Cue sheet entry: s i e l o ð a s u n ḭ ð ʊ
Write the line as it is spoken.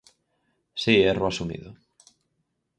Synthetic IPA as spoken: s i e r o a s u m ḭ ð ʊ